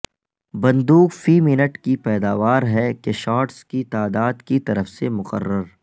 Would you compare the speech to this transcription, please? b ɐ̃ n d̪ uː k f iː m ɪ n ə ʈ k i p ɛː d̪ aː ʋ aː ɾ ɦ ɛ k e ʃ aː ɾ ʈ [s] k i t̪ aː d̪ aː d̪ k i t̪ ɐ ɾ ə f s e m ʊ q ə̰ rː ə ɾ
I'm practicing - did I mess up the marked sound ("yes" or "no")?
no